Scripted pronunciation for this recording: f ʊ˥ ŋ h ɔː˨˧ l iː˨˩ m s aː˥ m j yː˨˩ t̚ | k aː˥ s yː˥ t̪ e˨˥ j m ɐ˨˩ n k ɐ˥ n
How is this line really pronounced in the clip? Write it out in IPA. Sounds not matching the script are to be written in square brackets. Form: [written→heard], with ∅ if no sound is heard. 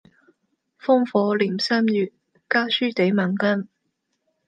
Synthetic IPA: f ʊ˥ ŋ [h→f] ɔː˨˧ l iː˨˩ m s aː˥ m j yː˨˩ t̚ | k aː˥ s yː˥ t̪ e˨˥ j m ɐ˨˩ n k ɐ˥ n